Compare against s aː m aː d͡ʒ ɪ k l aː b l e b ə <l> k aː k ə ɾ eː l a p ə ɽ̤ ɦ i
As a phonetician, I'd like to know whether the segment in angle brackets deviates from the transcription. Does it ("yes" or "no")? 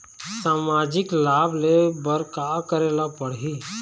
yes